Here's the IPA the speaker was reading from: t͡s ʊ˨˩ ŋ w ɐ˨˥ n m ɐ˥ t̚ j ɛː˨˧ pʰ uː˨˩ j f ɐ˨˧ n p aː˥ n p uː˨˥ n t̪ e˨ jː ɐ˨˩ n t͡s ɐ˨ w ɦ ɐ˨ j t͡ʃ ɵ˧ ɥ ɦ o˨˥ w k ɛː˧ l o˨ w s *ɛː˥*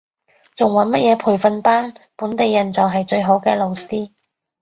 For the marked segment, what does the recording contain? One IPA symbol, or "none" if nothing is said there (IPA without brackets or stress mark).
iː˥